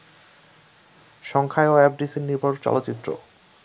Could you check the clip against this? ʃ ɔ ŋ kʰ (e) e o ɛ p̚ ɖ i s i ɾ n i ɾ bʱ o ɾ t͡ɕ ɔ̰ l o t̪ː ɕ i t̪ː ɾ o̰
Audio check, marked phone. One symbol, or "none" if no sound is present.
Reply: a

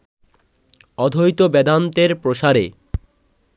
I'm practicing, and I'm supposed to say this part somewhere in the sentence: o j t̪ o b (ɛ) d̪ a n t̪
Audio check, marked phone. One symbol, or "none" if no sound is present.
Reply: ɛ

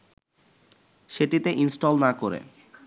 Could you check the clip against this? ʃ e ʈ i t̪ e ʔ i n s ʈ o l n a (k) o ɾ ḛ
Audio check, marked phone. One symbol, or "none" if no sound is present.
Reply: k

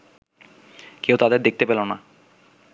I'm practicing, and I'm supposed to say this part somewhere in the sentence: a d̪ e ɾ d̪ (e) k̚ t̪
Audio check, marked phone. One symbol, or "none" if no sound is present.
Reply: e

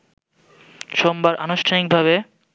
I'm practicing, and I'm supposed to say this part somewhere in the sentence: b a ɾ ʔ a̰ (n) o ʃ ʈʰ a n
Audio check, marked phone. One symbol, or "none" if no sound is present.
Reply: n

